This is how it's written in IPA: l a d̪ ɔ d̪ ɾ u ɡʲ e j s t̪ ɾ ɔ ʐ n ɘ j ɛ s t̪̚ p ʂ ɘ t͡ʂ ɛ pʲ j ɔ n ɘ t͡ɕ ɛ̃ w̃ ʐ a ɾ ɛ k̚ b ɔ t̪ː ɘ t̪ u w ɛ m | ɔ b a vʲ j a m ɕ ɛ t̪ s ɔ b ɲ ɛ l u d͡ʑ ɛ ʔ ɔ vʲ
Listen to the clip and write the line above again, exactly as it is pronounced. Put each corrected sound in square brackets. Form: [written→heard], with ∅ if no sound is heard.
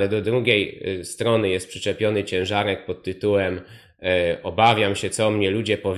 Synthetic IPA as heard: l [a→ɛ] d̪ ɔ d̪ ɾ u ɡʲ e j s t̪ ɾ ɔ [ʐ→∅] n ɘ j ɛ s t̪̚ p ʂ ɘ t͡ʂ ɛ pʲ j ɔ n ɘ t͡ɕ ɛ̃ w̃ ʐ a ɾ ɛ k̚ [b→p] ɔ t̪ː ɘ t̪ u w ɛ m | ɔ b a vʲ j a m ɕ ɛ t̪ s ɔ [b→m] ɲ ɛ l u d͡ʑ ɛ [ʔ→p] ɔ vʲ